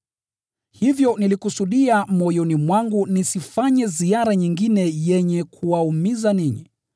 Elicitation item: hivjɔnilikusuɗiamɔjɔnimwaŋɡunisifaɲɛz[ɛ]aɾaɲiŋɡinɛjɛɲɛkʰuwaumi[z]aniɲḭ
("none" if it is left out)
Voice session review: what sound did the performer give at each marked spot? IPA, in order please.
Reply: i, z

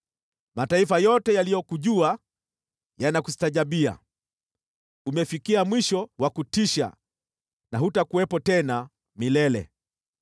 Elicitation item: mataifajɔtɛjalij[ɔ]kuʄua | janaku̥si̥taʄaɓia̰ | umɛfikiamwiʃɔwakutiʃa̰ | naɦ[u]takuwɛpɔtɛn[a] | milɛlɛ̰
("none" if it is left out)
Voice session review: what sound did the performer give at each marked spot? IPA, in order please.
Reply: ɔ, u, a

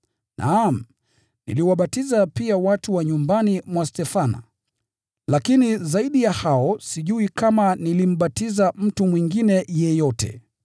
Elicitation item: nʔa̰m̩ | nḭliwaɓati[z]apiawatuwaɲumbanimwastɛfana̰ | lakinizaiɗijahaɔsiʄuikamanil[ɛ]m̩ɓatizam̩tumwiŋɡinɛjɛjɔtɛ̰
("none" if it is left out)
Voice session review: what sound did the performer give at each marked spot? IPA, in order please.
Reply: z, i

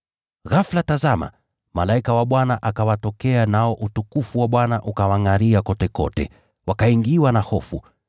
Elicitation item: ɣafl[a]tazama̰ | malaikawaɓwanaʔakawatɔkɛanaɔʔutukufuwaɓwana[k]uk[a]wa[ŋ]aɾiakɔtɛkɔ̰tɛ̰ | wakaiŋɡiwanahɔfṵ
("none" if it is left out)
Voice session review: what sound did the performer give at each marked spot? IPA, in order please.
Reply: a, ʔ, a, ŋ

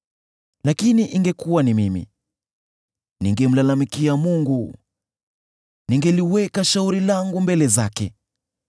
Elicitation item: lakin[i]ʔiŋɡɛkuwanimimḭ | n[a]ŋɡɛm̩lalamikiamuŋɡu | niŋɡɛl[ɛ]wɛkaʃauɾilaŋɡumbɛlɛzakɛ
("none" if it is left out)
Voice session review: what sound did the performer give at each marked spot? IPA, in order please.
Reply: i, i, i

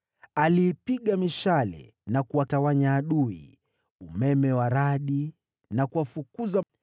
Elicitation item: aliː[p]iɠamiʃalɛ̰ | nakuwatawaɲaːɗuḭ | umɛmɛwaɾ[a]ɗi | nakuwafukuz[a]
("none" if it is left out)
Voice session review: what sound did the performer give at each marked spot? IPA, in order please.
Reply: p, a, a

